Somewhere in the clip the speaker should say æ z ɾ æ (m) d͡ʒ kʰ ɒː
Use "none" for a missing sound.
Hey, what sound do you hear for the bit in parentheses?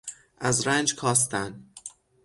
n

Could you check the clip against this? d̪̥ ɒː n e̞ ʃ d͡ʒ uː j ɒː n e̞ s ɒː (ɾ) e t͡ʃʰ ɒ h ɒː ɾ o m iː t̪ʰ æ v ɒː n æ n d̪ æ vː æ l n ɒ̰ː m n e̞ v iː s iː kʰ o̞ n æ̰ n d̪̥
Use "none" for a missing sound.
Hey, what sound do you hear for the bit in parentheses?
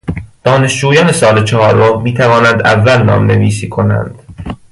l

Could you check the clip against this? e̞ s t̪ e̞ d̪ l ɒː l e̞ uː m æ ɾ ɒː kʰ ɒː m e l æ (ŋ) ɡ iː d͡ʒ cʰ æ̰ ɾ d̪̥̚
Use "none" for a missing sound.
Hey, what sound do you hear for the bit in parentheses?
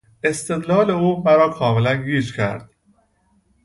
n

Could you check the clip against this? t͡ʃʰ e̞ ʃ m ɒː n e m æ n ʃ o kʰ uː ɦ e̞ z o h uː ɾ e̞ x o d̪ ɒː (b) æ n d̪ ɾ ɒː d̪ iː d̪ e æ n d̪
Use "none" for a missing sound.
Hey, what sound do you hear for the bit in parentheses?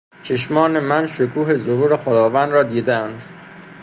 v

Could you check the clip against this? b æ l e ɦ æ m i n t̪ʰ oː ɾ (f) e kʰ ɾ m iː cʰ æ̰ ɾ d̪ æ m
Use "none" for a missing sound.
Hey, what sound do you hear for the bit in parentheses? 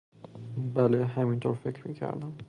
f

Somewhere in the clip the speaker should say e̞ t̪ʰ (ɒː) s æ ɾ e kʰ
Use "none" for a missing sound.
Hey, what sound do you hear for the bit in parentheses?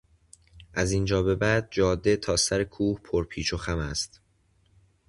ɒː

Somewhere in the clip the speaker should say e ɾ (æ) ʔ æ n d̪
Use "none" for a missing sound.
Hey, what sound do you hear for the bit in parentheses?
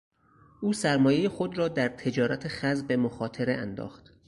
e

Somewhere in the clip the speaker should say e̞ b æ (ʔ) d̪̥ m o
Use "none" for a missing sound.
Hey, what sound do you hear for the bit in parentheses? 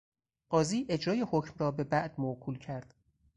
ʔ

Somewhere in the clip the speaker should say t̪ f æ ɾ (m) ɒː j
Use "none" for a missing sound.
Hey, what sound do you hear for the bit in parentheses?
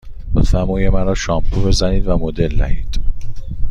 m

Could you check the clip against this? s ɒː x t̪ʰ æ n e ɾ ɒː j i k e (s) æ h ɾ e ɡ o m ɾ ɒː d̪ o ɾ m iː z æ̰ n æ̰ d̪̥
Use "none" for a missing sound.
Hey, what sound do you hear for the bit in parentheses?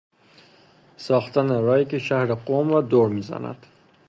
ʃ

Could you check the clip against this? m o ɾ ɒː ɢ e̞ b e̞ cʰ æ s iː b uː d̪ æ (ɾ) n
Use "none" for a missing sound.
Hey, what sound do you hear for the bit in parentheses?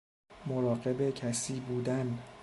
none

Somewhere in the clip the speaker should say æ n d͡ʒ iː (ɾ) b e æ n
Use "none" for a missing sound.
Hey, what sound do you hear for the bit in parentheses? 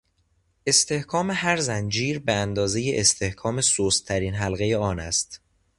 ɾ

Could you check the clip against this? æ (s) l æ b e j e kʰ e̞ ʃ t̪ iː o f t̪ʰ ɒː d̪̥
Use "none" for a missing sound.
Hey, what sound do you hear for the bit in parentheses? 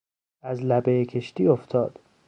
z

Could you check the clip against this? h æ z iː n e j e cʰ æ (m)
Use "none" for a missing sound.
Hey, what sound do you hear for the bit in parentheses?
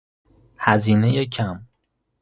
m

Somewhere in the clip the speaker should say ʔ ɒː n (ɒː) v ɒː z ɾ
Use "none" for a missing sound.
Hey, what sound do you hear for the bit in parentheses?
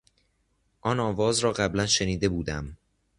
ɒː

